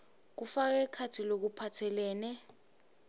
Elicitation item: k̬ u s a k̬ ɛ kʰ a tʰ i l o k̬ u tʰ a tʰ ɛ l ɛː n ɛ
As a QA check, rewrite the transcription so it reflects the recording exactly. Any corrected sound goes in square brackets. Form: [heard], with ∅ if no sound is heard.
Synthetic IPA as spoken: k̬ u [f] a k̬ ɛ kʰ a tʰ i l o k̬ u [pʰ] a tʰ ɛ l ɛː n ɛ